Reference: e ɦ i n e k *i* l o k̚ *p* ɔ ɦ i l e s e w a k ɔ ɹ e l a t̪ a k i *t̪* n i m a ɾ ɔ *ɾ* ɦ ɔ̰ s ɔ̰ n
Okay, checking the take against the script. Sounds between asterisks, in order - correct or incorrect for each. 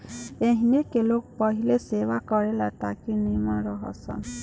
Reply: incorrect: e, correct, incorrect: none, incorrect: none

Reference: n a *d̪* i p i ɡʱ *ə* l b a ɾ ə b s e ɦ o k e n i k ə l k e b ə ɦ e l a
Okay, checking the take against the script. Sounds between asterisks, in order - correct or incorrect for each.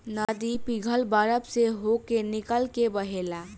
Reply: correct, correct

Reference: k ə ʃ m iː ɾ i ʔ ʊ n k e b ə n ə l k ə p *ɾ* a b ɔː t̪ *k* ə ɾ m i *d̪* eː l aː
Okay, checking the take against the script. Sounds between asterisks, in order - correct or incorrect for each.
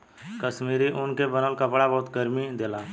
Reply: incorrect: ɽ, incorrect: ɡ, correct

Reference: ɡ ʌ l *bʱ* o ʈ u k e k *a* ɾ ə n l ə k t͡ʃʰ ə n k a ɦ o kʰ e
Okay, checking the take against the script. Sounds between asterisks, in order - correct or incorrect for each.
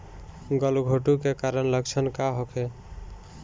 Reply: incorrect: ɡʱ, correct

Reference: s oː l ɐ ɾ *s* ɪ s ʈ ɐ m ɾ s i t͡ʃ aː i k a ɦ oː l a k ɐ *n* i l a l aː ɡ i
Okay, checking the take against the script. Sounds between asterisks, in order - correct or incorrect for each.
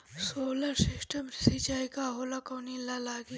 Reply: correct, correct

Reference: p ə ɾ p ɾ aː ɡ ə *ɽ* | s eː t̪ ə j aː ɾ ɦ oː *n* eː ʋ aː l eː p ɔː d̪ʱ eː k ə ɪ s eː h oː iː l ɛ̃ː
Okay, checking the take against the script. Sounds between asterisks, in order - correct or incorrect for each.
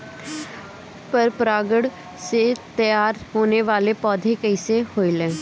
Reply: correct, correct

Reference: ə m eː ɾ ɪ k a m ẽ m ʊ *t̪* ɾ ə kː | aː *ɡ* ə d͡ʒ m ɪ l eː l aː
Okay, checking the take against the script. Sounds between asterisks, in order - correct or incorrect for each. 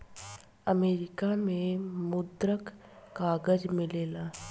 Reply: incorrect: d̪, correct

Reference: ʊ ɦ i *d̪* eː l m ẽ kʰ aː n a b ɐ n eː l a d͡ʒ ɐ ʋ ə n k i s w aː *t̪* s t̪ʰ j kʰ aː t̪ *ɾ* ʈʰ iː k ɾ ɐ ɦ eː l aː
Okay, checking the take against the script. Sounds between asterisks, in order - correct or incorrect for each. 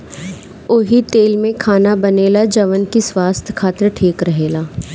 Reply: incorrect: t̪, incorrect: none, correct

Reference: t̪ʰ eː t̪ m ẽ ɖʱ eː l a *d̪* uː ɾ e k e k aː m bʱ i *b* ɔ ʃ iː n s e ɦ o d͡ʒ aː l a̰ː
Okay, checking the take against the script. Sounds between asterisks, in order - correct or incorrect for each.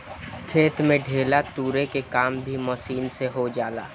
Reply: incorrect: t̪, incorrect: m

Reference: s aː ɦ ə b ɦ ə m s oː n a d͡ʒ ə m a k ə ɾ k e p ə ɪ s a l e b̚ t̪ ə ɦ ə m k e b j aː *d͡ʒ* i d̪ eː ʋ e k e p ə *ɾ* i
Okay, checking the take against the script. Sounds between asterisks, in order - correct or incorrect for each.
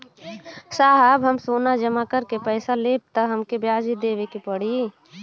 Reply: correct, incorrect: ɽ

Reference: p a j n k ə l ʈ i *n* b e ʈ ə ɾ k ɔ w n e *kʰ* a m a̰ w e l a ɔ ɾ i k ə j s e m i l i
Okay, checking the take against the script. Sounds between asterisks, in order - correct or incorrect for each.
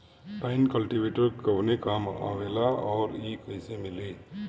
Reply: incorrect: none, incorrect: k

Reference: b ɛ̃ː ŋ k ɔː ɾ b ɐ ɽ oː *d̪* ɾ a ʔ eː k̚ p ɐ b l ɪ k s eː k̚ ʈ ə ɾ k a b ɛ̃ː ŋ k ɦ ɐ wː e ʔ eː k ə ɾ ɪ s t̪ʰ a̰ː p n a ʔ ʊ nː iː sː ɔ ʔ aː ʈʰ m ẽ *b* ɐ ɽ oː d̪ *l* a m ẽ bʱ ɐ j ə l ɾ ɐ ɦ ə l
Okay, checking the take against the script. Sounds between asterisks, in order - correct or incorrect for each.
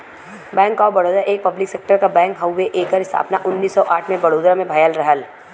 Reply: correct, correct, incorrect: ɾ

